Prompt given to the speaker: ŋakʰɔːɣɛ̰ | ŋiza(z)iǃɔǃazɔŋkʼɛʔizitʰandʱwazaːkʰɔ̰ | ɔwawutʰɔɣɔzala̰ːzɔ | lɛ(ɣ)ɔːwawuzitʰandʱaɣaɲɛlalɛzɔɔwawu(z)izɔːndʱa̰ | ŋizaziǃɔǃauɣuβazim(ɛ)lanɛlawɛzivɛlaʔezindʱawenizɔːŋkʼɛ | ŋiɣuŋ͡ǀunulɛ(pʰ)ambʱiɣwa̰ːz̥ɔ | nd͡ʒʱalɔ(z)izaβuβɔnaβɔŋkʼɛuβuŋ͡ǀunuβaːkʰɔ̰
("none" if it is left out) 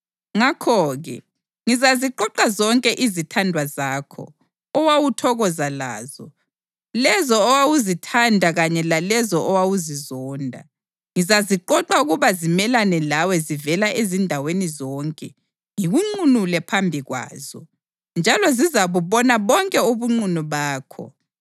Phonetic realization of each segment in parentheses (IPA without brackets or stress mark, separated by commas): z, z, z, ɛ, pʰ, z